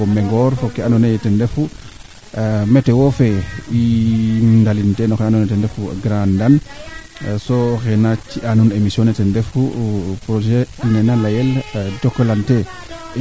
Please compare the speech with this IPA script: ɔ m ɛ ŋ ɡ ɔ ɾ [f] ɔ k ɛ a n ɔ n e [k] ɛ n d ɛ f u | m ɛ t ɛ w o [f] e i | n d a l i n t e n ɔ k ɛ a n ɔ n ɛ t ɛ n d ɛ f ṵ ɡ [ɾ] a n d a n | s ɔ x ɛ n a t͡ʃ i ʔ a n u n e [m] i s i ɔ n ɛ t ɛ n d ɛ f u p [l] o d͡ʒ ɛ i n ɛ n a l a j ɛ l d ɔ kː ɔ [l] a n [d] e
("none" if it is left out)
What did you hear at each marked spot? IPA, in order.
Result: f, t, f, ɾ, m, ɾ, l, t

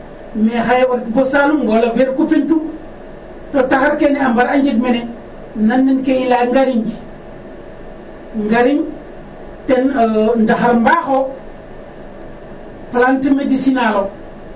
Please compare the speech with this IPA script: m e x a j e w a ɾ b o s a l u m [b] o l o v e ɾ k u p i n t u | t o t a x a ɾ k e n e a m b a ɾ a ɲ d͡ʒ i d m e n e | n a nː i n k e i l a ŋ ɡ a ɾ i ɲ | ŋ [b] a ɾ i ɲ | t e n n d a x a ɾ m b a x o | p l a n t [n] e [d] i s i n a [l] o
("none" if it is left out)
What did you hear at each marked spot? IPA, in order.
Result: ɡ, ɡ, m, d, l

